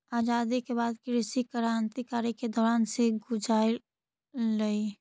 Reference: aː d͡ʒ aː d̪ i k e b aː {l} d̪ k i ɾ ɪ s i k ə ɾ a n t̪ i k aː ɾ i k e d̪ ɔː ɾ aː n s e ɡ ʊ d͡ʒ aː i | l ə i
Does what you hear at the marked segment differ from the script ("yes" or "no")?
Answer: yes